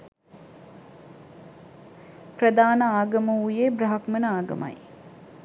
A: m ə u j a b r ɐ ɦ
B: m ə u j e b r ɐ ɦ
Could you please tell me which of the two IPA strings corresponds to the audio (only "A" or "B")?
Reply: B